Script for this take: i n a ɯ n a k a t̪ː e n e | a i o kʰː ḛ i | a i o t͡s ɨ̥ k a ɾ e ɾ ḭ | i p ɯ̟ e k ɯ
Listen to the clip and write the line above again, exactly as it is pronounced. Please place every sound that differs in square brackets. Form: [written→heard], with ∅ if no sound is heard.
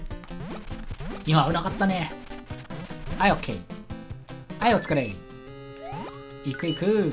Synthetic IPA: i [n→m] a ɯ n a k a t̪ː [e→a] n e | a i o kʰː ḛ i | a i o t͡s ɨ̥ k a ɾ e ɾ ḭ | i [p→k] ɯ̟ [e→i] k ɯ